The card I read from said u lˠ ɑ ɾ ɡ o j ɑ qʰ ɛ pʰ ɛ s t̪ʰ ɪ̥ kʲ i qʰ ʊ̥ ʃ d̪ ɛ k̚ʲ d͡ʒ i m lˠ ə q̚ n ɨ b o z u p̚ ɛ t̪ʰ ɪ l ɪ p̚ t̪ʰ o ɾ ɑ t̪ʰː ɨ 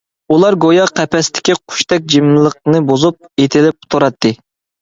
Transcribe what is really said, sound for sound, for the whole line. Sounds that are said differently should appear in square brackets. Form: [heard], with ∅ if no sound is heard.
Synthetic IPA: u lˠ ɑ ɾ ɡ o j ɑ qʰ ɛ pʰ ɛ s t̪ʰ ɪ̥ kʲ i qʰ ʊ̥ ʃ [t̪] ɛ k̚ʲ d͡ʒ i m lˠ ə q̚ n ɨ b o z u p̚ [e] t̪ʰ ɪ l ɪ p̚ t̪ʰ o ɾ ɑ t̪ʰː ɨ